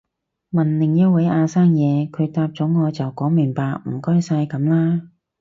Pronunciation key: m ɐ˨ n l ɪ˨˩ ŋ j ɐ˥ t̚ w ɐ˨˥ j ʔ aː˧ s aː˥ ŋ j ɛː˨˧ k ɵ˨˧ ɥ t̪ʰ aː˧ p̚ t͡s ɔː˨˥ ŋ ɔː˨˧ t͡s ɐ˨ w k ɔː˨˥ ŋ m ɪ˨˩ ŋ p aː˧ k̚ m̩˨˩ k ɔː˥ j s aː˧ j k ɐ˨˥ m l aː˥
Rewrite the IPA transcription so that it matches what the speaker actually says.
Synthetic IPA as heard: m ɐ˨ n l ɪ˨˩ ŋ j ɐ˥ t̚ w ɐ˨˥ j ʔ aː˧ s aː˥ ŋ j ɛː˨˧ kʰ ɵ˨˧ ɥ t̪ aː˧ p̚ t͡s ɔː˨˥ ŋ ɔː˨˧ t͡s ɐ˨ w k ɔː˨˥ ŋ m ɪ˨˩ ŋ p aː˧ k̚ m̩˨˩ k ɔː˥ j s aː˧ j k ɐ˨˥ m l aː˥

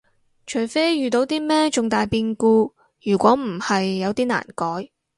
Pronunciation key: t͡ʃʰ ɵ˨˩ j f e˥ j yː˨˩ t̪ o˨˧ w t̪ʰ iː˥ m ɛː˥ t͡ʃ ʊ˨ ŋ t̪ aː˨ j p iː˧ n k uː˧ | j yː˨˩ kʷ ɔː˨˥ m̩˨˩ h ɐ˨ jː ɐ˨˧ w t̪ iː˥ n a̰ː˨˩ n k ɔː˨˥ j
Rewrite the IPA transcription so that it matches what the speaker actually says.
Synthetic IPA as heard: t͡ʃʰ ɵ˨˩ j f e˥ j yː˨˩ t̪ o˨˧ w t̪ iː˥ m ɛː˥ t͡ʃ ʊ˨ ŋ t̪ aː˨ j p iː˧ n k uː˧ | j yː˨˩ kʷ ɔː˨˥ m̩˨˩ h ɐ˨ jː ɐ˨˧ w t̪ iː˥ n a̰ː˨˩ n k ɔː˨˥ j

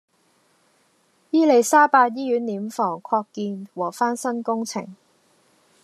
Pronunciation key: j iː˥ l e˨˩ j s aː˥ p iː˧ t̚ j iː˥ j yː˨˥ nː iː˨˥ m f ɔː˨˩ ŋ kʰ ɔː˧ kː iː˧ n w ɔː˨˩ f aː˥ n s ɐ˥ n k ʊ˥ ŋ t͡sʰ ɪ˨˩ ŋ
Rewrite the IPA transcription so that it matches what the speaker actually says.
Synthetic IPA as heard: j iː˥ l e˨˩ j s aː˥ p aː˧ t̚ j iː˥ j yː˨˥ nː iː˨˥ m f ɔː˨˩ ŋ kʰ ɔː˧ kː iː˧ n w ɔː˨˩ f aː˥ n s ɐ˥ n k ʊ˥ ŋ t͡sʰ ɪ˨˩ ŋ

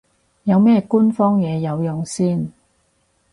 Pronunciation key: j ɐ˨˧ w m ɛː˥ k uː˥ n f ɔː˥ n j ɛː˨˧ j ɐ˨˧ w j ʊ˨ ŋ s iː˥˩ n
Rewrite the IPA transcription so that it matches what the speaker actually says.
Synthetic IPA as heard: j ɐ˨˧ w m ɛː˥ k uː˥ n f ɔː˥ ŋ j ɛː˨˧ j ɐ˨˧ w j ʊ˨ ŋ s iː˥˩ n

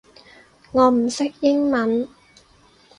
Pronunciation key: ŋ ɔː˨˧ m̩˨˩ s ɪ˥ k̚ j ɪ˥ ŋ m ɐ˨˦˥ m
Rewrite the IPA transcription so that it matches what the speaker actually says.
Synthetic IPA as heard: ŋ ɔː˨˧ m̩˨˩ s ɪ˥ k̚ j ɪ˥ ŋ m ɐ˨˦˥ n

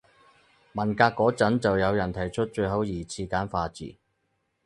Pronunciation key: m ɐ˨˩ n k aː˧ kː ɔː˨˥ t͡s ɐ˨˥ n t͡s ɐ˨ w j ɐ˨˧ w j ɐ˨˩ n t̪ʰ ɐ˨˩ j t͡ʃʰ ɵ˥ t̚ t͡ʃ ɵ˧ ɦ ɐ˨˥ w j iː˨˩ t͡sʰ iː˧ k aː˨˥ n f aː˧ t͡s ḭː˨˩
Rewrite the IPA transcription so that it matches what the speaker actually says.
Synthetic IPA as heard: m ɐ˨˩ n k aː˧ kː ɔː˨˥ t͡s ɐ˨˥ n t͡s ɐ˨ w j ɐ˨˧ w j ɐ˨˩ n t̪ʰ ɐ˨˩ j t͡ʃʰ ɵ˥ t̚ t͡ʃ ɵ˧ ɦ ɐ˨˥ w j iː˨˩ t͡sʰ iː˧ k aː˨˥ n f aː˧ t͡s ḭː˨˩

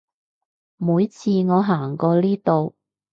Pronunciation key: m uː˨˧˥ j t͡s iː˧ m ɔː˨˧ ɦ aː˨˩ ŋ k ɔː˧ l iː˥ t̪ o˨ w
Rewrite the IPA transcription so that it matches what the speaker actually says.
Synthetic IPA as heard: m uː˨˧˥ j t͡sʰ iː˧ ŋ ɔː˨˧ ɦ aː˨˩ ŋ k ɔː˧ l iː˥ t̪ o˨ w

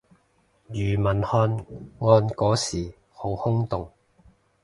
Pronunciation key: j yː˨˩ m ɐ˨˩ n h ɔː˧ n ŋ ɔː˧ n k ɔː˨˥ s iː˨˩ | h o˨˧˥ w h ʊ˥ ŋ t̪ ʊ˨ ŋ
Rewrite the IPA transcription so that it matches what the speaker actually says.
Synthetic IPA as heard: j yː˨˩ m ɐ˨˩ n h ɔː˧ n ŋ ɔː˧ n k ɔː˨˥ s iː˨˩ | h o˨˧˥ w h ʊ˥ ŋ t̪ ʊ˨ ŋ

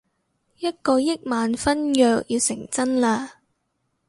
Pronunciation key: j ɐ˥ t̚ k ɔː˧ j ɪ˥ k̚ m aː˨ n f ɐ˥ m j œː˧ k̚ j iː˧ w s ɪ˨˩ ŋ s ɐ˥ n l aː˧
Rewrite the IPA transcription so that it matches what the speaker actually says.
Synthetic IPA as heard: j ɐ˥ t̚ k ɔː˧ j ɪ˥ k̚ m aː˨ n f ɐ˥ n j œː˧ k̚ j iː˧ w s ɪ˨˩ ŋ t͡s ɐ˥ n l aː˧

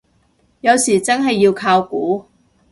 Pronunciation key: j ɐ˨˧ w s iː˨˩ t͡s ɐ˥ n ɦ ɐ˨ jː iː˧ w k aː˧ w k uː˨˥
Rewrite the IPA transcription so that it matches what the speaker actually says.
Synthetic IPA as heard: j ɐ˨˧ w s iː˨˩ t͡s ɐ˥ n ɦ ɐ˨ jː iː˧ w kʰ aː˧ w k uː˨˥

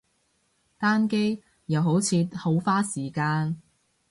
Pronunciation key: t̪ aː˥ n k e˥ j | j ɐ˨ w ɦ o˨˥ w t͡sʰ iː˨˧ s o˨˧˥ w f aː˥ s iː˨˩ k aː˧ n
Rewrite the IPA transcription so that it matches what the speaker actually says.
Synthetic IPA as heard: t̪ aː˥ n k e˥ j | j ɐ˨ w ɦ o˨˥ w t͡sʰ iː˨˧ h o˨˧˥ w f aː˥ s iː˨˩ k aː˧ n

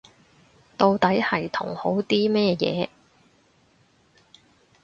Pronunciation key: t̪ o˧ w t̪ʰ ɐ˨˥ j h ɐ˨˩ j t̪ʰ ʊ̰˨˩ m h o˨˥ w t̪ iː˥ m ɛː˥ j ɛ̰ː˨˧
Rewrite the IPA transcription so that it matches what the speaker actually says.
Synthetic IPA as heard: t̪ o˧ w t̪ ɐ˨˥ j h ɐ˨˩ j t̪ʰ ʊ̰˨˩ ŋ h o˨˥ w t̪ iː˥ m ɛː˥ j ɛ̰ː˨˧

